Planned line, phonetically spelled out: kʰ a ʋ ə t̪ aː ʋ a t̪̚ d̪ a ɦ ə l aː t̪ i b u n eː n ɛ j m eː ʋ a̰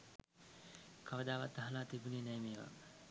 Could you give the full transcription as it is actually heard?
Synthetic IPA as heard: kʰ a ʋ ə d̪ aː ʋ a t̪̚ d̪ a ɦ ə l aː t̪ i b u n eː n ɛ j m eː ʋ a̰